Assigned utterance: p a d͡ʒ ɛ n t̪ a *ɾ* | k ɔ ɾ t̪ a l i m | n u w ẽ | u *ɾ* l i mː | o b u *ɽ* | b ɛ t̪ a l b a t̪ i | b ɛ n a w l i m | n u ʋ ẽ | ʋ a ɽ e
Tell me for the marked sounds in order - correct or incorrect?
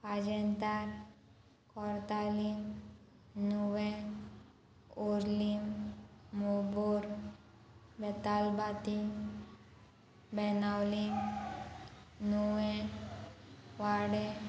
correct, correct, incorrect: ɾ

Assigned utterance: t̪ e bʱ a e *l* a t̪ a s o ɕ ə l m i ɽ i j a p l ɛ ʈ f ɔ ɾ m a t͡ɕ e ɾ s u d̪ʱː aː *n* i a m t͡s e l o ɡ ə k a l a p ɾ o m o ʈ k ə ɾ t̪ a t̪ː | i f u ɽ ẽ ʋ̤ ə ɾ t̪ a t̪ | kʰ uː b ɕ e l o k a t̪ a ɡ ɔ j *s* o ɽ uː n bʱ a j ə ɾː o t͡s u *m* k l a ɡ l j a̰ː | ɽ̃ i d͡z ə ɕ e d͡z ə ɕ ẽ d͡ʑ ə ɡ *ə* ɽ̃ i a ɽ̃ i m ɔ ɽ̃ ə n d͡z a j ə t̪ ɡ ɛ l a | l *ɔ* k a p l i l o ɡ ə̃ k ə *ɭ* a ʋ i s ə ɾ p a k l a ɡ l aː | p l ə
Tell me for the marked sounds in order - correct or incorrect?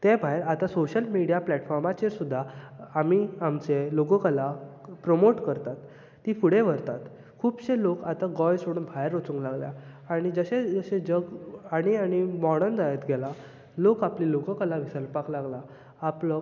incorrect: ɾ, incorrect: m, correct, incorrect: ŋ, incorrect: a, incorrect: o, incorrect: l

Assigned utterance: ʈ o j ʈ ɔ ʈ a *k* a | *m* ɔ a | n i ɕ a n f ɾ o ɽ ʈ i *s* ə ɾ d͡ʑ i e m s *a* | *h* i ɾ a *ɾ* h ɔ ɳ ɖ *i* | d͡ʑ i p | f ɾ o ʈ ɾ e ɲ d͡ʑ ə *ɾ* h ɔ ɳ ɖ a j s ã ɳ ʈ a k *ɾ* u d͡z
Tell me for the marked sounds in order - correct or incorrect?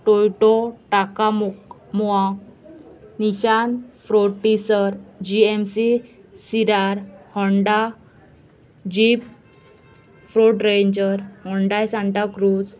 correct, correct, correct, incorrect: i, incorrect: s, correct, incorrect: a, correct, correct

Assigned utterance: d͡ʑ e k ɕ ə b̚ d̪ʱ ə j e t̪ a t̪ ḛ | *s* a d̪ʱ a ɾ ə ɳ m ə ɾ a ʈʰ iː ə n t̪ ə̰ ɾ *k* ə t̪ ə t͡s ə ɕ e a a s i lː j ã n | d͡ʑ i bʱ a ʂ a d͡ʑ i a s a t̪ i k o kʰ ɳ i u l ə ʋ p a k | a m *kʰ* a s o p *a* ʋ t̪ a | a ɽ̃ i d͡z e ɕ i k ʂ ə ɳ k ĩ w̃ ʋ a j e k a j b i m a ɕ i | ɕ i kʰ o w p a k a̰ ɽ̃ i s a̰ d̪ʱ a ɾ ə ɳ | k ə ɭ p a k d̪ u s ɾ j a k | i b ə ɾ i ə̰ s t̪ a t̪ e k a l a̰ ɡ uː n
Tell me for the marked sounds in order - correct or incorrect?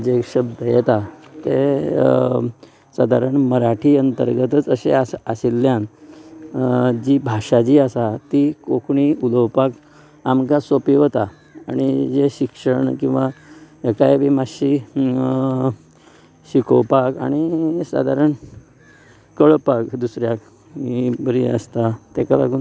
correct, incorrect: ɡ, incorrect: k, incorrect: i

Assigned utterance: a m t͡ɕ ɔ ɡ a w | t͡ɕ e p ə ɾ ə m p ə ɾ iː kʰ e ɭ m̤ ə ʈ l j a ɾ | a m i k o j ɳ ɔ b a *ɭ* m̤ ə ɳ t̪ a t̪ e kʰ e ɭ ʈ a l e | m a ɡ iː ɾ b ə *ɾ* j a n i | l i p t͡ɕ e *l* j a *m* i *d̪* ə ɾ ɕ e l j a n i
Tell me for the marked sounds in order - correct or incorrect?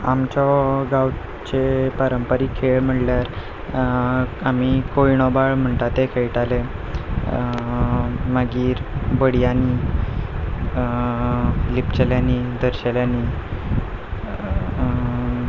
correct, incorrect: ɽ, correct, incorrect: n, correct

